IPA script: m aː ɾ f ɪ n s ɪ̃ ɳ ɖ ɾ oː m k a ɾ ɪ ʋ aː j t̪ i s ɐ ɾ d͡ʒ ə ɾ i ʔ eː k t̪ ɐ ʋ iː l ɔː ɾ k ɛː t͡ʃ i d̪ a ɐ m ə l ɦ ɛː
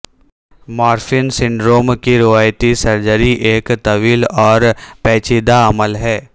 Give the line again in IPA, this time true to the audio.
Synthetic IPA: m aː ɾ f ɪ n s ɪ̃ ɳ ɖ ɾ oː m k i ɾ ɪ ʋ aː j t̪ i s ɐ ɾ d͡ʒ ə ɾ i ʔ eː k t̪ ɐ ʋ iː l ɔː ɾ p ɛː t͡ʃ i d̪ a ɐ m ə l ɦ ɛː